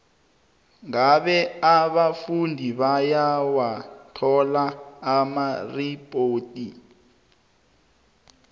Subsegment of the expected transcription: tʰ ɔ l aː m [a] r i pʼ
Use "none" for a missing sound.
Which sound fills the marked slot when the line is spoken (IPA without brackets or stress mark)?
a